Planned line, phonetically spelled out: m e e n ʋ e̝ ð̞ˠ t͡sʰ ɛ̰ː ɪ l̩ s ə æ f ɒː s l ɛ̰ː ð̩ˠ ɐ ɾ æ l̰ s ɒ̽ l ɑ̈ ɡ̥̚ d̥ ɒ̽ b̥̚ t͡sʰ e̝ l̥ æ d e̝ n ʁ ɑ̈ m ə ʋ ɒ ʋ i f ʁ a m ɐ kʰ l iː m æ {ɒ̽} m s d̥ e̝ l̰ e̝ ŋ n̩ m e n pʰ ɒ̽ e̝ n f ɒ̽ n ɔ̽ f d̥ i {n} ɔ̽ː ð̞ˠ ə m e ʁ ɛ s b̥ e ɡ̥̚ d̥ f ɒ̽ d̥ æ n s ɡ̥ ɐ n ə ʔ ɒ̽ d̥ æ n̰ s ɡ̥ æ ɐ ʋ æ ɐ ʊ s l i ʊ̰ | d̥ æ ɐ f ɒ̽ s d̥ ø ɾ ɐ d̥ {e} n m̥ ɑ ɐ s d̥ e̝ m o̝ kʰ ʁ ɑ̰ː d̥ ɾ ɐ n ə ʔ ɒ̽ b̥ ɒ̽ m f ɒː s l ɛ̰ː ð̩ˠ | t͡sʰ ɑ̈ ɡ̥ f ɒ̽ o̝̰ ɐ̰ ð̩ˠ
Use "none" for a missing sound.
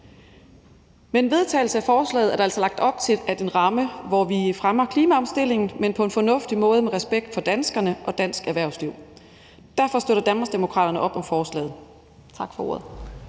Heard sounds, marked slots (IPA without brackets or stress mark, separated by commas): ɒ̽, m, æ